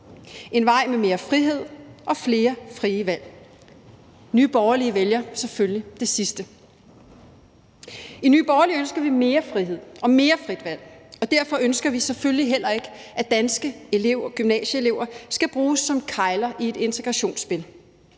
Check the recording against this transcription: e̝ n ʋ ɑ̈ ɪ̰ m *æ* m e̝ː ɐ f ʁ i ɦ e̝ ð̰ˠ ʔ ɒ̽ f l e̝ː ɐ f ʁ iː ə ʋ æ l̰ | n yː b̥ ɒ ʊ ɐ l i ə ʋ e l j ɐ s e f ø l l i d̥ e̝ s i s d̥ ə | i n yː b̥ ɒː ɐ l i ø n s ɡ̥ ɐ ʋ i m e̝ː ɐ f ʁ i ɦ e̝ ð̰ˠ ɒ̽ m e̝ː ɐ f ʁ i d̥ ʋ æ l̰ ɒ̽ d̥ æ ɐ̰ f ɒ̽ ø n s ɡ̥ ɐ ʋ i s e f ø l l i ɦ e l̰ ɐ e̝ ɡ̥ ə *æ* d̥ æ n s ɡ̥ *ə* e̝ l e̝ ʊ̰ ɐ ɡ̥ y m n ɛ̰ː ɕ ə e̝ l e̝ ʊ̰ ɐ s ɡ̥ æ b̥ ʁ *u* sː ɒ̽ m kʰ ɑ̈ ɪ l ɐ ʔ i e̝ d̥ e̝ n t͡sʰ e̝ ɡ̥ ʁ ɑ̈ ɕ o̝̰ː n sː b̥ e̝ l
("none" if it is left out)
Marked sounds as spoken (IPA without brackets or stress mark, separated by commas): e, æ, ə, uː